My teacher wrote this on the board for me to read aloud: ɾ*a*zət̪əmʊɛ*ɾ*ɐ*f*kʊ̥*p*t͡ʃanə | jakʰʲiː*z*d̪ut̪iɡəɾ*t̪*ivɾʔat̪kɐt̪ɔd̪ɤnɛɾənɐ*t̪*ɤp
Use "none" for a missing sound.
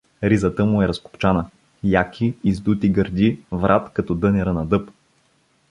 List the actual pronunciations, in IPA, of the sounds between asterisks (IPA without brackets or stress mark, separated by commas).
i, ɾ, s, p, z, d̪, d̪